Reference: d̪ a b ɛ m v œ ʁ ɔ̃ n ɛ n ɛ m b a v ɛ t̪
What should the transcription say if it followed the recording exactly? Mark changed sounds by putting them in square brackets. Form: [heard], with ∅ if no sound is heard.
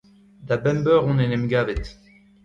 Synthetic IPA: d̪ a b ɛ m [b] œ ʁ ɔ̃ n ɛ n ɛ m [ɡ] a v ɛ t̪